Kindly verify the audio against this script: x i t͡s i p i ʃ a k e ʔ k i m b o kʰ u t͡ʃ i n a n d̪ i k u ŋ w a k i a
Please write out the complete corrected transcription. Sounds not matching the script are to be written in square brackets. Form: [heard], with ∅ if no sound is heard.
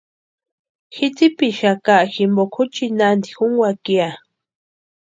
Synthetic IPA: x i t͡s i p i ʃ a k [a] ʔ [x] i m b o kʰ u t͡ʃ i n a n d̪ i [x] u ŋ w a k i a